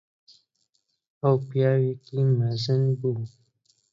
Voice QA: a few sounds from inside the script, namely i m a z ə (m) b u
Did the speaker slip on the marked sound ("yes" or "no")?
yes